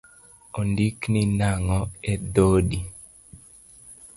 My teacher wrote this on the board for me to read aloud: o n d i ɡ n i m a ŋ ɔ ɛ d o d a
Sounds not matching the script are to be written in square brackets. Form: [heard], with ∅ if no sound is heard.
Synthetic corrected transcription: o n d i [k] n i [n] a ŋ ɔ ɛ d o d [i]